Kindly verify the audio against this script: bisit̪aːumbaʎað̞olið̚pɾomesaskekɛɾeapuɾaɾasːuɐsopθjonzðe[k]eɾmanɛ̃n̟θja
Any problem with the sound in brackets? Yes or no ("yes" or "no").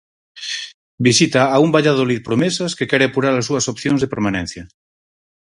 yes